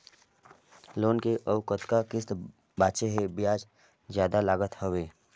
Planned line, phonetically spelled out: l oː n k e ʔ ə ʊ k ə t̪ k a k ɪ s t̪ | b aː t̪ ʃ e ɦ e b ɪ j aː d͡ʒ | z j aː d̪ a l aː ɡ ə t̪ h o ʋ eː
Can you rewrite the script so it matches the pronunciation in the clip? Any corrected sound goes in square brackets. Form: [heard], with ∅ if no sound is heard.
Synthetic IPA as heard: l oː n k e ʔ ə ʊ k ə t̪ k a k ɪ s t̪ | b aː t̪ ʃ e ɦ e b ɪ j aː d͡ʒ | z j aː d̪ a l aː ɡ ə t̪ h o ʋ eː

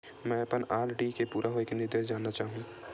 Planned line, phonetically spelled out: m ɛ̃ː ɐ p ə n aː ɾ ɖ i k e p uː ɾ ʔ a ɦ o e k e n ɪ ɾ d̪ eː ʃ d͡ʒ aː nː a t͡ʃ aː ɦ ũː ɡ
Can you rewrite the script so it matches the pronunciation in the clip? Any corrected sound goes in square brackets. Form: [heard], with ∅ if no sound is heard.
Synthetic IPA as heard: m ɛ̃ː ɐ p ə n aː ɾ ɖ i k e p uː ɾ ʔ a ɦ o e k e n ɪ ɾ d̪ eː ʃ d͡ʒ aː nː a t͡ʃ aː ɦ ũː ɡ

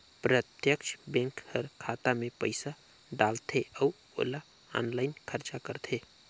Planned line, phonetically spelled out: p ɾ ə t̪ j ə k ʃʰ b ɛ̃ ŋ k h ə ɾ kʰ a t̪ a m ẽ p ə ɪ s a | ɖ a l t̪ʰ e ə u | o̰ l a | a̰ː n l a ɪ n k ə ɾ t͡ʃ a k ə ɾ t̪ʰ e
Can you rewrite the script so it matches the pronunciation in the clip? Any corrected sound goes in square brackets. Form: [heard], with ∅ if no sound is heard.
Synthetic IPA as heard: p ɾ ə t̪ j ə k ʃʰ b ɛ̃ ŋ k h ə ɾ kʰ a t̪ a m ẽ p ə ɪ s a | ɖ a l t̪ʰ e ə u | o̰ l a | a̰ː n l a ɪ n [kʰ] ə ɾ t͡ʃ a k ə ɾ t̪ʰ e

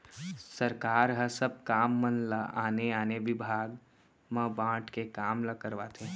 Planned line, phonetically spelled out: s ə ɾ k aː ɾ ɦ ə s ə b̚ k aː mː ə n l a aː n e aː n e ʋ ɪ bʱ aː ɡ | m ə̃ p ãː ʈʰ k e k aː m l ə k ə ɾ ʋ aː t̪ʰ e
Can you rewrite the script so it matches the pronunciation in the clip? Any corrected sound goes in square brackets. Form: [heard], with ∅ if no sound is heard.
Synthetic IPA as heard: s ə ɾ k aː ɾ ɦ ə s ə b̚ k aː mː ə n l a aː n e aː n e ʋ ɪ bʱ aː ɡ | m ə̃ [b] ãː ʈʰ k e k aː m l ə k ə ɾ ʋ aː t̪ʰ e

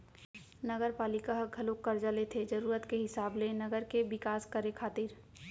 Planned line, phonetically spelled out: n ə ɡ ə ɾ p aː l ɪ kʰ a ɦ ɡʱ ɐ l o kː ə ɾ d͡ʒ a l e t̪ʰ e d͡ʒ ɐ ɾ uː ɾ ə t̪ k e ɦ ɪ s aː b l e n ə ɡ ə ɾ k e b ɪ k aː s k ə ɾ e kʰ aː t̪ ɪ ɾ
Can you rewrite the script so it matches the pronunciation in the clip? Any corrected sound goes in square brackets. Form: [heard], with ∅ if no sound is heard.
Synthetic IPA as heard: n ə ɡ ə ɾ p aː l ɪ [k] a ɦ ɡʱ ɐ l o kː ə ɾ d͡ʒ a l e t̪ʰ e d͡ʒ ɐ ɾ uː ɾ ə t̪ k e ɦ ɪ s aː b l e n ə ɡ ə ɾ k e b ɪ k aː s k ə ɾ e kʰ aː t̪ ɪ ɾ

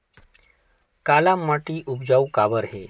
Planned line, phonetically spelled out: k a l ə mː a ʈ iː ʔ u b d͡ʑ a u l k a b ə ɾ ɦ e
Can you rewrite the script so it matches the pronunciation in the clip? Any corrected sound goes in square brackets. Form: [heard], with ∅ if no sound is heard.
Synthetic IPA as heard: k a l [a] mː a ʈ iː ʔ u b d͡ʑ a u [∅] k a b ə ɾ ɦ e

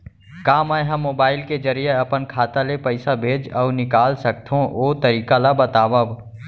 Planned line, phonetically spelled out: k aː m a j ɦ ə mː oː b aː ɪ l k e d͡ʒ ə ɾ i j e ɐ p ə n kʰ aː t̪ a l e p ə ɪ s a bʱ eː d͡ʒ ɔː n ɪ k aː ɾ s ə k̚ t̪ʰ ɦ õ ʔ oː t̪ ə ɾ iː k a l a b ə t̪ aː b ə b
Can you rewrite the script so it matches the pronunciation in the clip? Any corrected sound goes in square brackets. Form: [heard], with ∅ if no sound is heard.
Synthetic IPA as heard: k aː m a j ɦ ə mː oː b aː ɪ l k e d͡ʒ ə ɾ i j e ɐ p ə n kʰ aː t̪ a l e p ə ɪ s a bʱ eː d͡ʒ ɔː n ɪ k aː [l] s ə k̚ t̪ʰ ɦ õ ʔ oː t̪ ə ɾ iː k a l a b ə t̪ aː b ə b

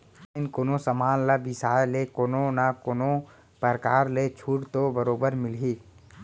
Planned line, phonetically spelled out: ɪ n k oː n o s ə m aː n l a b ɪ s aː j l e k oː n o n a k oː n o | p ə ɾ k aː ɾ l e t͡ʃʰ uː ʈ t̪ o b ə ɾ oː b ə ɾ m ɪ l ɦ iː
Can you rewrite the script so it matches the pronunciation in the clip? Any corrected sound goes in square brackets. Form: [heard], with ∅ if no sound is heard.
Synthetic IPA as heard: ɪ n k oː n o s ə m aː n l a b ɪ s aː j l e k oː n o n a k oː n o | p ə ɾ k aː ɾ l e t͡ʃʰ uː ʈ t̪ o b ə ɾ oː b ə ɾ m ɪ l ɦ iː

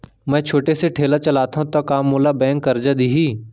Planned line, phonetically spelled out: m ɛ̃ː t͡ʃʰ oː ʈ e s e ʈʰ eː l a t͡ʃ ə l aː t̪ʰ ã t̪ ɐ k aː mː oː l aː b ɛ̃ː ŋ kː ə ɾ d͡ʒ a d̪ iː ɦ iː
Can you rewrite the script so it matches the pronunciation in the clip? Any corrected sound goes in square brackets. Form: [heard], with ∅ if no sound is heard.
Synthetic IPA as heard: m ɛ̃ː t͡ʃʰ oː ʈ e s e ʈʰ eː l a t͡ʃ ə l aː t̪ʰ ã t̪ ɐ k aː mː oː l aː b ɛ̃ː ŋ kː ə ɾ d͡ʒ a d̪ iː ɦ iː

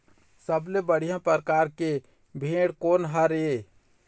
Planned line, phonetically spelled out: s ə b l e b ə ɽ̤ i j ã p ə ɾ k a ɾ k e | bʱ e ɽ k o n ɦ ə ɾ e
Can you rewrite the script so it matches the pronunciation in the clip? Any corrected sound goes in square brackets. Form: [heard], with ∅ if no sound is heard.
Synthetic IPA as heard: s ə b l e b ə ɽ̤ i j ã p ə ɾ k a ɾ k e | bʱ e ɽ k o n ɦ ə ɾ e

